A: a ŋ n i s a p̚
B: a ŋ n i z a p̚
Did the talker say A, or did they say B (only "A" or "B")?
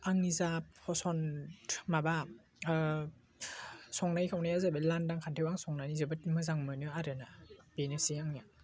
B